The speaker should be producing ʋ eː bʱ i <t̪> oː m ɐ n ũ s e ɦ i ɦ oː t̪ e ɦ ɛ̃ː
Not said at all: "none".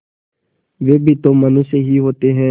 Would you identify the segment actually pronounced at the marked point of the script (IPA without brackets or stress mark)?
t̪